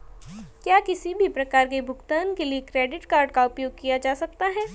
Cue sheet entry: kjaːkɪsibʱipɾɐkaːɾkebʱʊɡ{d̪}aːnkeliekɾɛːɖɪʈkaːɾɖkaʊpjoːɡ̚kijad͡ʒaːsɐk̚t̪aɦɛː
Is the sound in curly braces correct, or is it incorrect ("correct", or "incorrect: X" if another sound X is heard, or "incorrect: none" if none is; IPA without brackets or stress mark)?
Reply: incorrect: t̪